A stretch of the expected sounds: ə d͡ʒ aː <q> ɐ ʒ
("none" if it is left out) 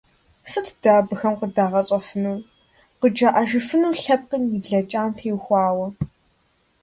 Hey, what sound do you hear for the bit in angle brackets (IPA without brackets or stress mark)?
ʔ